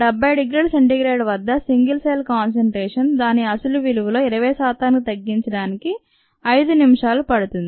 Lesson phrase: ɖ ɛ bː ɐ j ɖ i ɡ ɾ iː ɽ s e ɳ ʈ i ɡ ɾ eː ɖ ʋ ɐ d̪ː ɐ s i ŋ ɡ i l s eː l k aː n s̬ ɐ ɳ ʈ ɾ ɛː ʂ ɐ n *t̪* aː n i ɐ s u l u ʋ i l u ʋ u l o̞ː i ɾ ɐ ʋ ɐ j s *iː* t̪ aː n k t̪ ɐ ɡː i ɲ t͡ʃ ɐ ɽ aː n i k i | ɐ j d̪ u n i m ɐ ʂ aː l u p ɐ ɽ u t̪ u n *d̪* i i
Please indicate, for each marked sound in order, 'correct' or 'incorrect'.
incorrect: d̪, incorrect: aː, correct

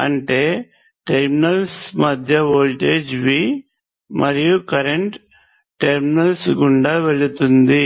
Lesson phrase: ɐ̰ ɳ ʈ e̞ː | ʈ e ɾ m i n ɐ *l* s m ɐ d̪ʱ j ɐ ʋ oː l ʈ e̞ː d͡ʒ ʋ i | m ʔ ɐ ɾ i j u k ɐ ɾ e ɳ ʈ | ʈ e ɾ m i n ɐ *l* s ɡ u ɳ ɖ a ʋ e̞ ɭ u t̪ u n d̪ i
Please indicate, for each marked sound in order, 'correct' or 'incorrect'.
correct, correct

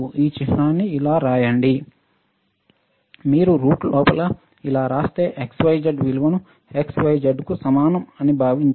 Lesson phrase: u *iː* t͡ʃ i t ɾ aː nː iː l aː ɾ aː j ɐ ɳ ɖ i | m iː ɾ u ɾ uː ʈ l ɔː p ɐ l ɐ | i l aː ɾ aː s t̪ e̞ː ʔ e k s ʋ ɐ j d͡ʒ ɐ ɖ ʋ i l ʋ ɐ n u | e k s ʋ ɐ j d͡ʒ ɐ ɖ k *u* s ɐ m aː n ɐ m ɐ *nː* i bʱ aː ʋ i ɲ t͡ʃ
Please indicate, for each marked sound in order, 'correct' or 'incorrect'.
correct, correct, incorrect: n

